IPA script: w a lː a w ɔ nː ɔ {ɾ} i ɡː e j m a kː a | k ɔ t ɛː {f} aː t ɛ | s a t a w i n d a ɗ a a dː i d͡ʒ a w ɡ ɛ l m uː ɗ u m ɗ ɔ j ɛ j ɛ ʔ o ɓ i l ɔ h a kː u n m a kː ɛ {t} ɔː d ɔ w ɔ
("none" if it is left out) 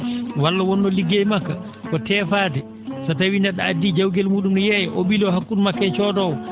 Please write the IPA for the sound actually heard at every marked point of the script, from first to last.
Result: l, f, t͡ʃ

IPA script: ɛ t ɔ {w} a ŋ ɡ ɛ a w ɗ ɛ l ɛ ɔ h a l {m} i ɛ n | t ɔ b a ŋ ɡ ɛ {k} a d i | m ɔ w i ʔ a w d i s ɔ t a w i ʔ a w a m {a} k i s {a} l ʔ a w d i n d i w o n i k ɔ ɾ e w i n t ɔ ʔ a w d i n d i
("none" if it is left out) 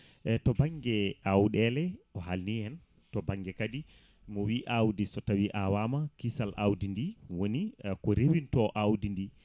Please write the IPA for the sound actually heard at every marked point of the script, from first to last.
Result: b, n, k, a, a

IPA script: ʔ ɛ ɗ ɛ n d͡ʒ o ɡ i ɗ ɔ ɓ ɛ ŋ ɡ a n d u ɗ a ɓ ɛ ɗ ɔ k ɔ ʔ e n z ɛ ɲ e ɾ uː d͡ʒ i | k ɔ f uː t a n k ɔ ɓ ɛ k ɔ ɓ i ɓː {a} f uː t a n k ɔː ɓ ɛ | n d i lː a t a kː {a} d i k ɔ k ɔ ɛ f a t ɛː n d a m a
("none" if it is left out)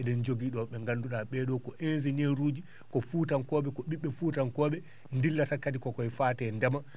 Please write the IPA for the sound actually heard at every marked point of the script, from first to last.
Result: ɛ, a

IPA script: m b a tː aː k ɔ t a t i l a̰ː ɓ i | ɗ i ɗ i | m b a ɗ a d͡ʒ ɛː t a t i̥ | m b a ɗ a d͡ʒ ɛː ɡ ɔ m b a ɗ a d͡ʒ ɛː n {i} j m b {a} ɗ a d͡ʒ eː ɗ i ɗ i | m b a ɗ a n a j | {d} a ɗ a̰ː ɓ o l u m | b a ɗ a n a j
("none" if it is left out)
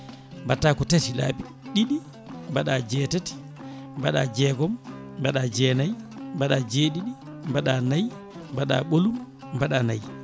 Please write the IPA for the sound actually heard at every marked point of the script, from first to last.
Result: a, a, b

